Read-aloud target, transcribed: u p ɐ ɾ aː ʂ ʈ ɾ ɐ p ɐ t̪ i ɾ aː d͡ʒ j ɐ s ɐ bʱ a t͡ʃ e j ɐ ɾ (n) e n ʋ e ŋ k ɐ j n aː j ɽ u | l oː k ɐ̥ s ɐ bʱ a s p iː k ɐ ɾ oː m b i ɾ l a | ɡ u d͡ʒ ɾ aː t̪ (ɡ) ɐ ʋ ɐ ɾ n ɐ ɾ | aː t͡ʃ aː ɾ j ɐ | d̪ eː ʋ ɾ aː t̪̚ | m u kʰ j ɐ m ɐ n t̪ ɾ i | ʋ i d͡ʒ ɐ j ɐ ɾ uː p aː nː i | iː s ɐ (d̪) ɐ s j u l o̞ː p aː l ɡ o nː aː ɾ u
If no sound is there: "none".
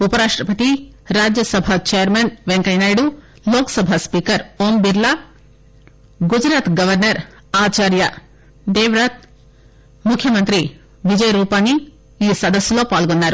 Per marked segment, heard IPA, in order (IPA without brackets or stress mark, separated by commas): m, ɡ, d̪